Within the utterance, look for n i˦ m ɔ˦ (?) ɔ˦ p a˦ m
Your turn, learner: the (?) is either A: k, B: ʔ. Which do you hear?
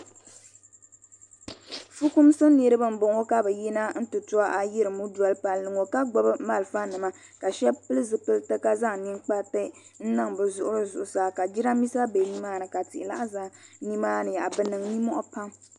B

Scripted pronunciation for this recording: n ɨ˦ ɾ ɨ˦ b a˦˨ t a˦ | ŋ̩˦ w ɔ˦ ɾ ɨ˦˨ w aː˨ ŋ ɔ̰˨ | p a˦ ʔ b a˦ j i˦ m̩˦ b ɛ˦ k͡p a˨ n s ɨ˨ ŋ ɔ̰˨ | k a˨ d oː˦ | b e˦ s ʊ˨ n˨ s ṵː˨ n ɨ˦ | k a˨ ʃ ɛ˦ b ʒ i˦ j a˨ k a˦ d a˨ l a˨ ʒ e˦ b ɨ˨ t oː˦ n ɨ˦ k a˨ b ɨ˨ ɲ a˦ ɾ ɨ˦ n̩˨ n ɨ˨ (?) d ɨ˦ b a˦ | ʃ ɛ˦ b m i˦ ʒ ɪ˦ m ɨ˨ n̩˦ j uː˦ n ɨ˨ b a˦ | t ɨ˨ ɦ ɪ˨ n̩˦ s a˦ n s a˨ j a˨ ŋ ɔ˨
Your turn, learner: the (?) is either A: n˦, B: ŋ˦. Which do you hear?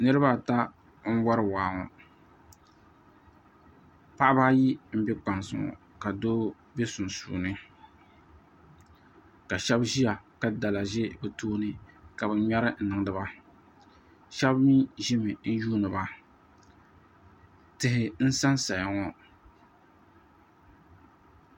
B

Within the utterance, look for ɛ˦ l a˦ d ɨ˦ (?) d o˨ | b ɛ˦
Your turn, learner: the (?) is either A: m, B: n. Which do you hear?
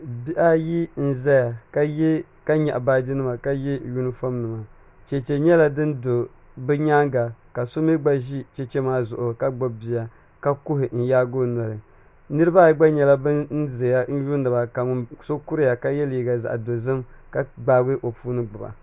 B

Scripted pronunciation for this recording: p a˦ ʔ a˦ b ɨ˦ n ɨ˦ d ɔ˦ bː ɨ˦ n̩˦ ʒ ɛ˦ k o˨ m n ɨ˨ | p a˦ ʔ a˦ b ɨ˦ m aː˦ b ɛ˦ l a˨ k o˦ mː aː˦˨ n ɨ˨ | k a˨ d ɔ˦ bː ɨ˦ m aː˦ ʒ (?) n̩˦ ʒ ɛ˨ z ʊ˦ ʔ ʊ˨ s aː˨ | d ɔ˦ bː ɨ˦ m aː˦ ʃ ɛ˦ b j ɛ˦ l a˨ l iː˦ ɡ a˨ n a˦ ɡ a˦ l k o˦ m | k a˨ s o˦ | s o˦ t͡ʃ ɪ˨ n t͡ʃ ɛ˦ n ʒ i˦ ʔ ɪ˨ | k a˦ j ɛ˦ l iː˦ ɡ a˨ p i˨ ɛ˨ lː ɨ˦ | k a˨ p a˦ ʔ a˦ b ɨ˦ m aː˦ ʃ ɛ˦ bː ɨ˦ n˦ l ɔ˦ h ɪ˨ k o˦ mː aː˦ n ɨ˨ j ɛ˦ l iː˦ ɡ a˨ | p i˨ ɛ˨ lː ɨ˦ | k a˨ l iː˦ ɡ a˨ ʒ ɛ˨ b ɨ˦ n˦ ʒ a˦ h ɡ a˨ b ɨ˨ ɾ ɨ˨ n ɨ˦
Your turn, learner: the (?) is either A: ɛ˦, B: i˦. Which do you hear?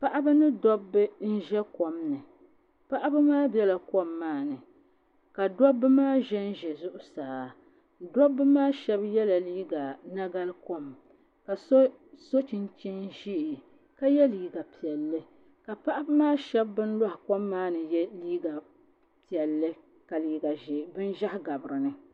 A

